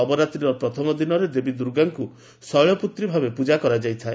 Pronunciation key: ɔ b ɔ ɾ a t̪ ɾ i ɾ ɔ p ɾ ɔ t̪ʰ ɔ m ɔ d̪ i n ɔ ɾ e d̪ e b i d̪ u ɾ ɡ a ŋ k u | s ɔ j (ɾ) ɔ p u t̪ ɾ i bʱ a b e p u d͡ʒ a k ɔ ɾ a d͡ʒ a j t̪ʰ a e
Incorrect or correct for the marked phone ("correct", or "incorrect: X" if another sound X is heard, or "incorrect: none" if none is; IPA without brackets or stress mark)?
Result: incorrect: ɭ